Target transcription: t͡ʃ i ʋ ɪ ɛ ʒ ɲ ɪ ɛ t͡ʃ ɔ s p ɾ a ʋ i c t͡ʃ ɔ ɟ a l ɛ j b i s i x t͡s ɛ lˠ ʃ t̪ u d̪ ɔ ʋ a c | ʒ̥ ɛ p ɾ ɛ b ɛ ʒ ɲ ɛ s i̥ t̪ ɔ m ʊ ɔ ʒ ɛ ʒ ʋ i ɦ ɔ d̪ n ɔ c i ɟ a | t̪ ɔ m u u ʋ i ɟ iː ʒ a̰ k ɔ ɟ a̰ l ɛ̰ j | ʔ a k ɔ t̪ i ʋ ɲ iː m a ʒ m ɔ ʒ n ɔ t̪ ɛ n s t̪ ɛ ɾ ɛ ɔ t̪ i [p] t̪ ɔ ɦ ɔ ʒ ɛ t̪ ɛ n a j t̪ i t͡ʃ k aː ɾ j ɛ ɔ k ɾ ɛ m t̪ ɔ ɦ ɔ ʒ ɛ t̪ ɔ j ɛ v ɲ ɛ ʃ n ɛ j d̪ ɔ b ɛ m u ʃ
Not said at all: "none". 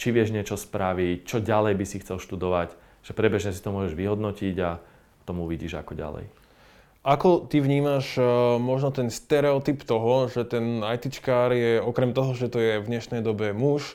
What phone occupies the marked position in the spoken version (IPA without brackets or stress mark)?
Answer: p